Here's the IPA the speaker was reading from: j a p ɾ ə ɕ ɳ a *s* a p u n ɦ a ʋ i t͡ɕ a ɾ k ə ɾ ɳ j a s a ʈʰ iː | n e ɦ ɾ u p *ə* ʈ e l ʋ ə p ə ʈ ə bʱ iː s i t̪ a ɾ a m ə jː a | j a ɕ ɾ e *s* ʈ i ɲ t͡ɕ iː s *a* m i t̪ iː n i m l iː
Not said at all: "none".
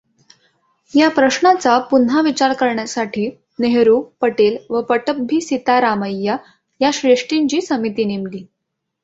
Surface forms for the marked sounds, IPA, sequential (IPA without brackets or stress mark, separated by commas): t͡s, ə, ʂ, ə